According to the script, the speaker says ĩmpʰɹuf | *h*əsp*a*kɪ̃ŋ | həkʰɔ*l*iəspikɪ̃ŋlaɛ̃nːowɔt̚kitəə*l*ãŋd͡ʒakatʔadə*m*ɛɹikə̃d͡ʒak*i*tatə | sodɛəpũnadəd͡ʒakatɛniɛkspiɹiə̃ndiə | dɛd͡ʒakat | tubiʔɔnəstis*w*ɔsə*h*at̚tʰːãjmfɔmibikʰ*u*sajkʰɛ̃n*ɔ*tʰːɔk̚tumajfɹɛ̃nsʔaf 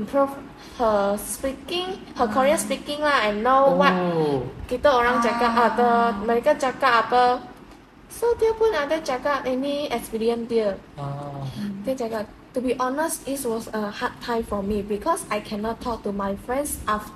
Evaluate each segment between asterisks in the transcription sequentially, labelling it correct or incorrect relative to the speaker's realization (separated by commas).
correct, incorrect, incorrect, incorrect, correct, incorrect, correct, correct, incorrect, correct